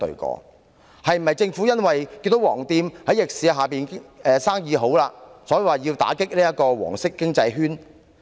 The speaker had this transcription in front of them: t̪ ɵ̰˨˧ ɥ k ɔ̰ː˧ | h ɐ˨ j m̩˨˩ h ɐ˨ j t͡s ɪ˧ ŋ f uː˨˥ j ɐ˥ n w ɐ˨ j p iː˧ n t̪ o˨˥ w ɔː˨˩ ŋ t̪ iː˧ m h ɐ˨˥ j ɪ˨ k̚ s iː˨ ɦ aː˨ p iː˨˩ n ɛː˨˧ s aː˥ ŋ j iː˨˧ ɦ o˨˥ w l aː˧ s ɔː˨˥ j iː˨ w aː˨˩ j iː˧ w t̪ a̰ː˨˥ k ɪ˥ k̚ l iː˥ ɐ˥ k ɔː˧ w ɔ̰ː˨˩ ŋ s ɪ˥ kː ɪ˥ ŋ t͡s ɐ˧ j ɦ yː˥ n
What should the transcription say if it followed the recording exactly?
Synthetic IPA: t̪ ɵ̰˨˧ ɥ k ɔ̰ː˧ | h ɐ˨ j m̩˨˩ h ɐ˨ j t͡s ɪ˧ ŋ f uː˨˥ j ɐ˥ n w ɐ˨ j k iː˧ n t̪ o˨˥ w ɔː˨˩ ŋ t̪ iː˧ m h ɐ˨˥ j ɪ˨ k̚ s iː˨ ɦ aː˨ p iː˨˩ n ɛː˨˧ s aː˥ ŋ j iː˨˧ ɦ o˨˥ w l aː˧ s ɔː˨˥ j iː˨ w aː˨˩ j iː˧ w t̪ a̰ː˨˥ k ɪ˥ k̚ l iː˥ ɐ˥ k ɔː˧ w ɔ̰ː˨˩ ŋ s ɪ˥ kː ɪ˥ ŋ t͡s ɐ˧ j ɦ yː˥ n